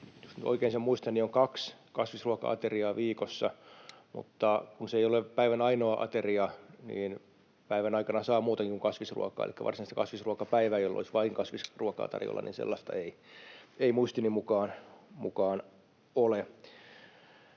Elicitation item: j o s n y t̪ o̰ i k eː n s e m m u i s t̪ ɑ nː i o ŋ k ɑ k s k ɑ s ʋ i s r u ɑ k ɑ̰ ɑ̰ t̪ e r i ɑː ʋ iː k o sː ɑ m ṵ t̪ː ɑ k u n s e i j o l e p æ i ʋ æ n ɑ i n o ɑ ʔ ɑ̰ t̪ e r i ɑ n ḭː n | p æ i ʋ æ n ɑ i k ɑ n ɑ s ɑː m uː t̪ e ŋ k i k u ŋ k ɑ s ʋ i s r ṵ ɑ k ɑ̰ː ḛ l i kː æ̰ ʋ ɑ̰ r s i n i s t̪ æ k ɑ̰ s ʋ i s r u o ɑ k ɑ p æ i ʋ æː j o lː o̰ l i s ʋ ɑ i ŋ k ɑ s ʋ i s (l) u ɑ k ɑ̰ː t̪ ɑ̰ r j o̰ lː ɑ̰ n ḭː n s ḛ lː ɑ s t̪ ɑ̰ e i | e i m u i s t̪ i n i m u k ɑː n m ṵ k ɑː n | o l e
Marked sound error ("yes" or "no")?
yes